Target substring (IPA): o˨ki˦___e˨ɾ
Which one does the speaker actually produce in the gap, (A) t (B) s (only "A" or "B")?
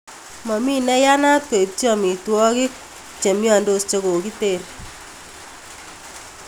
A